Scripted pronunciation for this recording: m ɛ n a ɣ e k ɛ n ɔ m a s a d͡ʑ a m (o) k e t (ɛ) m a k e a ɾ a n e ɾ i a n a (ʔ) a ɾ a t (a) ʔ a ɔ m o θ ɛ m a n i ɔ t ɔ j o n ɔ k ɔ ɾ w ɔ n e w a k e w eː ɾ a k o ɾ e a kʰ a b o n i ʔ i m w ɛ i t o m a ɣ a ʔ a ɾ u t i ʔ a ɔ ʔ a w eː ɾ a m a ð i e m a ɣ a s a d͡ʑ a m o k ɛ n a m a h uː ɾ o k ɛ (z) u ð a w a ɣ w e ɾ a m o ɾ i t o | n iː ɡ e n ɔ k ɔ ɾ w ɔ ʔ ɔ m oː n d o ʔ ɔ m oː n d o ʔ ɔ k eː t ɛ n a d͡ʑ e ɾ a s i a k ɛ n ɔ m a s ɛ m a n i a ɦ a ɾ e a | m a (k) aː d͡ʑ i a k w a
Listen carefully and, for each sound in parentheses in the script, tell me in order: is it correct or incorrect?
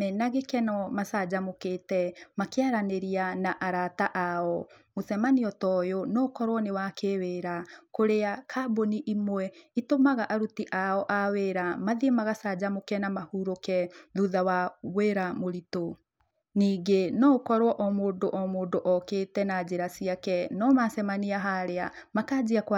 correct, correct, correct, correct, incorrect, correct

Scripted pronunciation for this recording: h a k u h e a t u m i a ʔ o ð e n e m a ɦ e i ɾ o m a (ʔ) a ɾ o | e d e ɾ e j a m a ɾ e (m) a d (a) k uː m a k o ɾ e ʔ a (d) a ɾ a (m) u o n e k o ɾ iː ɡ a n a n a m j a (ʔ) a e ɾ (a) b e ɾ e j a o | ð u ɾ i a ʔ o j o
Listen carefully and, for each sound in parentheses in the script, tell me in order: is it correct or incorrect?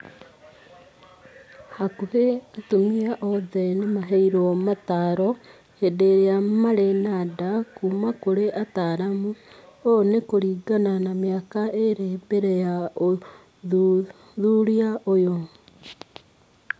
incorrect, incorrect, correct, incorrect, correct, incorrect, incorrect

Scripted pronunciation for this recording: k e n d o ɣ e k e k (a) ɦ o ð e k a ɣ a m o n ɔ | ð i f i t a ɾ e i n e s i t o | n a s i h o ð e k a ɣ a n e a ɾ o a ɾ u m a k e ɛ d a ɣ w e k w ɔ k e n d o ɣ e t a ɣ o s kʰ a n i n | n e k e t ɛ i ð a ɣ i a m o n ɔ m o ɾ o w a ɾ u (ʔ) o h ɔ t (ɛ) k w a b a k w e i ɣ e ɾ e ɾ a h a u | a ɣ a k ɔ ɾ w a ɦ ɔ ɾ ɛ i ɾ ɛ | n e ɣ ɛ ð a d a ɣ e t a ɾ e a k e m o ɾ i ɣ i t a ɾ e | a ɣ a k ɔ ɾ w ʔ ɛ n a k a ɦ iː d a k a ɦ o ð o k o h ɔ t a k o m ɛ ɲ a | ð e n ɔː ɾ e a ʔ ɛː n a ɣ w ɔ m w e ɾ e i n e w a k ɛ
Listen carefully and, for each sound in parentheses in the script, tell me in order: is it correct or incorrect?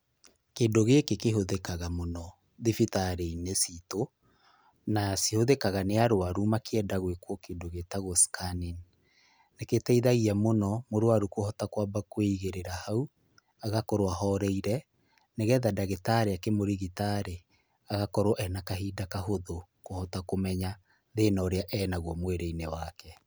incorrect, incorrect, incorrect

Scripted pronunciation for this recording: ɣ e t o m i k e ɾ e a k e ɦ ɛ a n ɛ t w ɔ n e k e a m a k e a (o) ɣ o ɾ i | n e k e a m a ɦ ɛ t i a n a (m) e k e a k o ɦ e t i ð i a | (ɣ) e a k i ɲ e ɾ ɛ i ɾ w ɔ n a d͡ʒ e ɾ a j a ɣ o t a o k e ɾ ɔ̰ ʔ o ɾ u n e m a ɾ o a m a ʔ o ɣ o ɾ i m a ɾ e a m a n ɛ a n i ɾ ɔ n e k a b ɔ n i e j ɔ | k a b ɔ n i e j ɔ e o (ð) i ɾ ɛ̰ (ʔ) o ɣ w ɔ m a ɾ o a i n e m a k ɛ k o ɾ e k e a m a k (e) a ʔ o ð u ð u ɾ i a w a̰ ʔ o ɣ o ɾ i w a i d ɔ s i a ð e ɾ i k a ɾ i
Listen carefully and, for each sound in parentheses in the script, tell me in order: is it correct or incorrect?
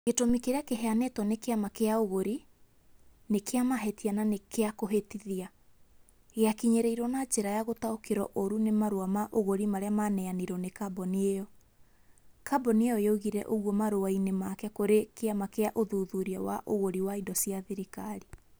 correct, incorrect, correct, incorrect, correct, correct

